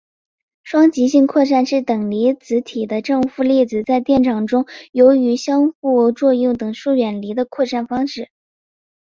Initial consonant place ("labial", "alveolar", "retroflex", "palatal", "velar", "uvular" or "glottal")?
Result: retroflex